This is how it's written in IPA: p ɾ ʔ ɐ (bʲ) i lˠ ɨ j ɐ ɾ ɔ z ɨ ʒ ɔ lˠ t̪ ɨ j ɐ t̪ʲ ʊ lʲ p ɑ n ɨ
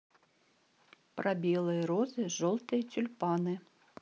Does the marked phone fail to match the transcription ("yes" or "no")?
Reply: no